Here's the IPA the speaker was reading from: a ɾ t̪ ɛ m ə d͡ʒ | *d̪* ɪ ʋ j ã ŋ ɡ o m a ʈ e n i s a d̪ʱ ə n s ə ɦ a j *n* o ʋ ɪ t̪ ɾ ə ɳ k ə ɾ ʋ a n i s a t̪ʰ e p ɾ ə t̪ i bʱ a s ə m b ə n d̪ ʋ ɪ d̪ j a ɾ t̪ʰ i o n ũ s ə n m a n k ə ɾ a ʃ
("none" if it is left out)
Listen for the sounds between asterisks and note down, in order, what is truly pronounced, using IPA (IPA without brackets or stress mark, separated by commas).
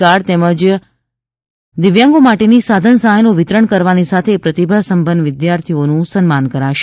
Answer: d̪, n